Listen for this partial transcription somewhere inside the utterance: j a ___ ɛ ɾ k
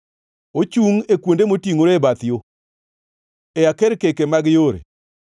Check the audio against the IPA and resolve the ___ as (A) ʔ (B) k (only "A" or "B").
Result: B